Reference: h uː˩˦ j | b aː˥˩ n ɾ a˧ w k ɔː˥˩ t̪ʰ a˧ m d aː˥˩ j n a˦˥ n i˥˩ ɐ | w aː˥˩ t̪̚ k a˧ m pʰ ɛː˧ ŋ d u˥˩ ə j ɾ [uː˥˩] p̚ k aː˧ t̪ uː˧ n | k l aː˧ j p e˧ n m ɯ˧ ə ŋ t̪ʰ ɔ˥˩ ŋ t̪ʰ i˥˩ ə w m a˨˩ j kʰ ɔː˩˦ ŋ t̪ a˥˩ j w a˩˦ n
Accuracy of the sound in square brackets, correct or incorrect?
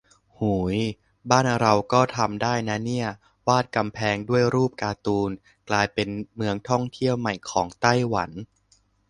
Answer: correct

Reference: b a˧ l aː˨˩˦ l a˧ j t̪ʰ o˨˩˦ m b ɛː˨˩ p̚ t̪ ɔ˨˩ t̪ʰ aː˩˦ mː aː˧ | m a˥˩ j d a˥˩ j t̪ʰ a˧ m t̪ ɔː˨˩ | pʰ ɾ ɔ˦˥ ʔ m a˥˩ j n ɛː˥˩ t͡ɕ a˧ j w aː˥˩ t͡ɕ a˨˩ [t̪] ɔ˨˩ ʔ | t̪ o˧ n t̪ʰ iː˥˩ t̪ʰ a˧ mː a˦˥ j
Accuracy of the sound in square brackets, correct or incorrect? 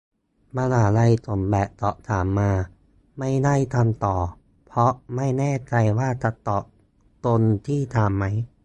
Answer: correct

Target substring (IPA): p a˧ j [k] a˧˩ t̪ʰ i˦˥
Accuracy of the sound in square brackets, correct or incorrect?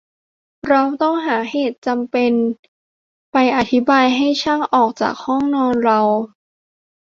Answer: incorrect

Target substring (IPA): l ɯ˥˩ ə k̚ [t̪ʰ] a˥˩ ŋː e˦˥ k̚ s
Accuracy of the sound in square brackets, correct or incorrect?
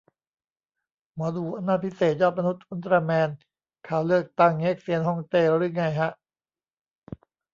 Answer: incorrect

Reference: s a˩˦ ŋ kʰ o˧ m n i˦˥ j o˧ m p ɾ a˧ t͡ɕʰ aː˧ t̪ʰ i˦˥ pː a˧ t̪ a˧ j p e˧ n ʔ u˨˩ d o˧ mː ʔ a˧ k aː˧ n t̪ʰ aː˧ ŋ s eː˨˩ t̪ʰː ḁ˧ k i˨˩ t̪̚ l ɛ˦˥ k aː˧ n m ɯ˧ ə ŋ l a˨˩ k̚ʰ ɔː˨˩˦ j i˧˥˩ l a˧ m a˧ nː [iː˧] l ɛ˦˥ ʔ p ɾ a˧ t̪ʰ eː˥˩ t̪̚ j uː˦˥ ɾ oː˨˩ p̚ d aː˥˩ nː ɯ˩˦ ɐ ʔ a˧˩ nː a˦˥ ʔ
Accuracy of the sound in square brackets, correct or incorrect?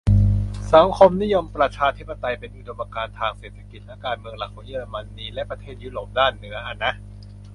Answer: correct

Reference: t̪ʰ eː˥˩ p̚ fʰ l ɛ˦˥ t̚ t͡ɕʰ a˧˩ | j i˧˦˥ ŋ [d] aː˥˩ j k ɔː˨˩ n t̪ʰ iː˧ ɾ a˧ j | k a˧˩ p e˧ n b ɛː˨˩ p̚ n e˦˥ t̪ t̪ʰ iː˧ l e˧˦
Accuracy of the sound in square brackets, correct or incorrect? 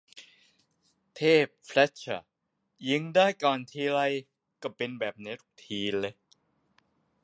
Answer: correct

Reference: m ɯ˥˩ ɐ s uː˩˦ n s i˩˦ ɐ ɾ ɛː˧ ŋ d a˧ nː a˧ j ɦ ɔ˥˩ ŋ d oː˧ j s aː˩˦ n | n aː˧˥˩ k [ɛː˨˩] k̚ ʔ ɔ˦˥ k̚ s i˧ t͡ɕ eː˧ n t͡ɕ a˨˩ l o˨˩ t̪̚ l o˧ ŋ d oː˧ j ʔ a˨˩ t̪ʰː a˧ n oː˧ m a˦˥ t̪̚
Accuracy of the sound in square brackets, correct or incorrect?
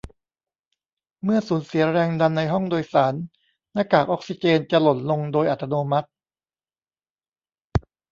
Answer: incorrect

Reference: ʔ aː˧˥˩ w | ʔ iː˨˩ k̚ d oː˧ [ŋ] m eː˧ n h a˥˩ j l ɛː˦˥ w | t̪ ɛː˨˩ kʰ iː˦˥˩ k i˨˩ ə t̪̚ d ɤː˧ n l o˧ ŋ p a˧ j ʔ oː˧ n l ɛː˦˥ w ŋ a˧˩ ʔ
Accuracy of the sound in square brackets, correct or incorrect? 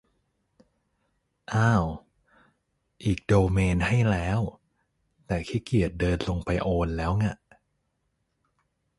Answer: incorrect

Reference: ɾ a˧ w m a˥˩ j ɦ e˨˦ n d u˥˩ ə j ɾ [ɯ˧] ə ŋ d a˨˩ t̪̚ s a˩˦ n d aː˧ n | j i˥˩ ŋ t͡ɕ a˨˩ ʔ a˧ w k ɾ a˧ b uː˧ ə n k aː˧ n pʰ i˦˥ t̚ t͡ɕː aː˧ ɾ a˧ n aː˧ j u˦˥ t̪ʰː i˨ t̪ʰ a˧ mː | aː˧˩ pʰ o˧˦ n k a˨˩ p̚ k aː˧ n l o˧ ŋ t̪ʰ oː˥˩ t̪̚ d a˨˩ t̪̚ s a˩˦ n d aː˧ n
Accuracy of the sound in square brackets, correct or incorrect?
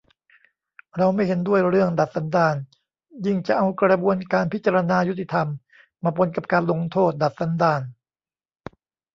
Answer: incorrect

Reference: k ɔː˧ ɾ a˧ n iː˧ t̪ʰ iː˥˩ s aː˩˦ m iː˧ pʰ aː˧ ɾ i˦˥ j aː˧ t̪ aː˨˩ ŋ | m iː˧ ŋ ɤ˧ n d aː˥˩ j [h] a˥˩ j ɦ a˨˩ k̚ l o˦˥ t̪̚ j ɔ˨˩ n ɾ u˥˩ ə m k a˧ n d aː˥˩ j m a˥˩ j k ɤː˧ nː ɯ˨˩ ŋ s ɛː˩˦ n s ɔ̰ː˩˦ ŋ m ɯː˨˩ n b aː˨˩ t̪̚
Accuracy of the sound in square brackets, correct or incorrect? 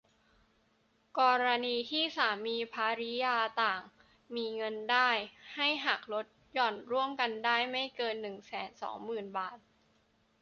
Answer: correct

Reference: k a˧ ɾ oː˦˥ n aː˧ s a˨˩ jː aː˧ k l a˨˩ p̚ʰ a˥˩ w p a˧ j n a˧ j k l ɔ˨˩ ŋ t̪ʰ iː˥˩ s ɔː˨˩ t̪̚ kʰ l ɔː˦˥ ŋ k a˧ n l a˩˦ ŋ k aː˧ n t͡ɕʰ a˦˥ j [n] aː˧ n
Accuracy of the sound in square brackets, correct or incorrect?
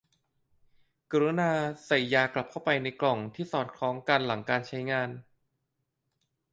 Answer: incorrect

